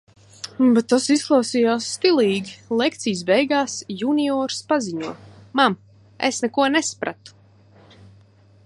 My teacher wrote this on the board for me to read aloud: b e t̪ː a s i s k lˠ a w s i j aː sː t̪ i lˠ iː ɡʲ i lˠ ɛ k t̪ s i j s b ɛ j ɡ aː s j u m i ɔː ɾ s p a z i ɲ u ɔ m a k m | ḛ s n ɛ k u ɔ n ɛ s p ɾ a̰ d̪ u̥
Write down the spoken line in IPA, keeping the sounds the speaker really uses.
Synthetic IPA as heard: b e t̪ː a s i s k lˠ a w s i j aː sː t̪ i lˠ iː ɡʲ i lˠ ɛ k t̪ s i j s b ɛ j ɡ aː s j u n i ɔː ɾ s p a z i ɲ u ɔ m a m | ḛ s n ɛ k u ɔ n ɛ s p ɾ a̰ t̪ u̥